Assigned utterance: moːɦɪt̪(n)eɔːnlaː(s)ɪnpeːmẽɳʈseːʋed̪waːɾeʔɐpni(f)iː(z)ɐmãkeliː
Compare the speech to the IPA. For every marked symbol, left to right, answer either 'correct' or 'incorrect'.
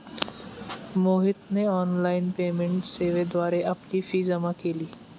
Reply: correct, incorrect: none, correct, correct

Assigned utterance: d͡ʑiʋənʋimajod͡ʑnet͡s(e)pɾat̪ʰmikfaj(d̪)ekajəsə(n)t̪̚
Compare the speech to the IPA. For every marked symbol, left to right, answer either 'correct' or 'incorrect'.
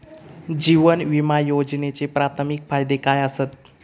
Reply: correct, correct, incorrect: none

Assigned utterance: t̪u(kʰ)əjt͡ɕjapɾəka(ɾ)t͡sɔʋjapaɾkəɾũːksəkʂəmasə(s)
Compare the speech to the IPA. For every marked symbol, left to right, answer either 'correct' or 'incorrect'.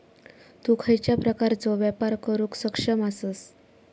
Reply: correct, correct, correct

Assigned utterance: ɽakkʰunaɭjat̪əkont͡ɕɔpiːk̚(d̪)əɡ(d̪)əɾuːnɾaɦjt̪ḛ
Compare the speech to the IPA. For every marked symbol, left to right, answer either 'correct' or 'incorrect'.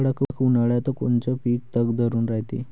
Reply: incorrect: t̪, correct

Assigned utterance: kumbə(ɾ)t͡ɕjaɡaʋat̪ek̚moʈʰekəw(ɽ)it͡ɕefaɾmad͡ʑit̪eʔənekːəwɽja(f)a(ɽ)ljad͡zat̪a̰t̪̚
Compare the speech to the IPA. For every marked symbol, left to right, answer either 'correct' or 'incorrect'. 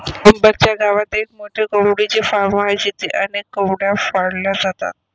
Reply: correct, correct, correct, correct

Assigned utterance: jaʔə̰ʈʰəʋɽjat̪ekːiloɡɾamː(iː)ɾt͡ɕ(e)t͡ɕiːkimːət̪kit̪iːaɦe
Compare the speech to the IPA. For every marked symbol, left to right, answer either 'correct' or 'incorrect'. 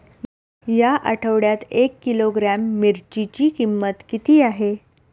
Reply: incorrect: i, incorrect: i

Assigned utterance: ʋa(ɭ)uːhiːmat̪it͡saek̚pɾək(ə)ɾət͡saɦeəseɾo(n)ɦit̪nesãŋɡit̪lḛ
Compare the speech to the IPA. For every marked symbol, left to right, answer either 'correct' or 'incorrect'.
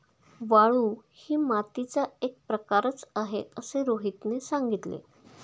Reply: correct, incorrect: a, incorrect: none

